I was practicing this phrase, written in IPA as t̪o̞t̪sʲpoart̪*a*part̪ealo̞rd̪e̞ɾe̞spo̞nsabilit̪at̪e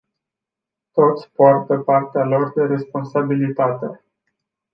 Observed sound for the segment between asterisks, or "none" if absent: ə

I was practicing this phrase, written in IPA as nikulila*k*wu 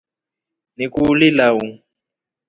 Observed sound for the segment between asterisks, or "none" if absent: none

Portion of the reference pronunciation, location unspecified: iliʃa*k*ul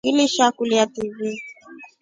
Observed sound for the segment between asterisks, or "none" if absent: k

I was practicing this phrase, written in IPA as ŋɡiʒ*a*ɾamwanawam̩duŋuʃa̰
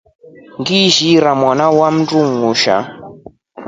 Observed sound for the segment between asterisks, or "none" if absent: i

